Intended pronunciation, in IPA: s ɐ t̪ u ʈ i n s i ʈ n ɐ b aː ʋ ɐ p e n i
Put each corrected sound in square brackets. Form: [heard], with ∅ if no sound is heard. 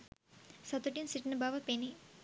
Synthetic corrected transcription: s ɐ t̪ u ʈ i n s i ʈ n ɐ b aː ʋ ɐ p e n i